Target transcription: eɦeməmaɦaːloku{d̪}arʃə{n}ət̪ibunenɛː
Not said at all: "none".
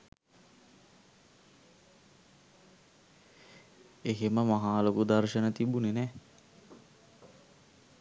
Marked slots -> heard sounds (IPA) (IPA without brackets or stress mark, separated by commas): d̪, n